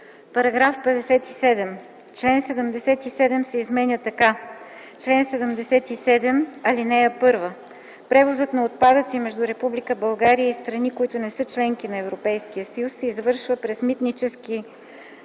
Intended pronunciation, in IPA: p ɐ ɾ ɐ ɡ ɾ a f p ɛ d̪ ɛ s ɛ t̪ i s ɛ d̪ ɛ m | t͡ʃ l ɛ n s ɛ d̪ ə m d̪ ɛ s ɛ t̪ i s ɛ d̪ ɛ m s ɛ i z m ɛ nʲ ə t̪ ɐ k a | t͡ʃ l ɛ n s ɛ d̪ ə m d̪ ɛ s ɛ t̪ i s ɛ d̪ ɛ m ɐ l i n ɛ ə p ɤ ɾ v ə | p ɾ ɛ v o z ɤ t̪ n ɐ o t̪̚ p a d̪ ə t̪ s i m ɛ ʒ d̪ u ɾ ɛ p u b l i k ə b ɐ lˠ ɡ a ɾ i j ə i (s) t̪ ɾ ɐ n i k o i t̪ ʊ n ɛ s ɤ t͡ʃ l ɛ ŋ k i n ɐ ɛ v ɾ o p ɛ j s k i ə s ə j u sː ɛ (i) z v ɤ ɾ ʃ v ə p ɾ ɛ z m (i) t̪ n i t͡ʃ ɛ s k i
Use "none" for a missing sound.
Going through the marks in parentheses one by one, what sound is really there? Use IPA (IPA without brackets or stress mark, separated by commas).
s, i, i